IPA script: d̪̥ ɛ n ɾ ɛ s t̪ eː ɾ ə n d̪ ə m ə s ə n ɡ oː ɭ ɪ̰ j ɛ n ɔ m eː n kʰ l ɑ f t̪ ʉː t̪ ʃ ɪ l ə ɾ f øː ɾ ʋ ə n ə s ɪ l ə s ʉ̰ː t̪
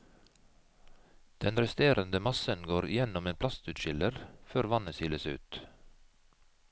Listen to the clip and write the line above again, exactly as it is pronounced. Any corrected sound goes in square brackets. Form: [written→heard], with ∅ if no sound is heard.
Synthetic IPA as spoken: d̪̥ ɛ n ɾ ɛ s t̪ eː ɾ ə n d̪ ə m [ə→ɑ] s ə n ɡ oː [ɭ→ɾ] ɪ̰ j ɛ n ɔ m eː n [kʰ→pʰ] l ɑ [f→s] t̪ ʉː t̪ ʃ ɪ l ə ɾ f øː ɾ ʋ [ə→ɑ] n ə s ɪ l ə s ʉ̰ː t̪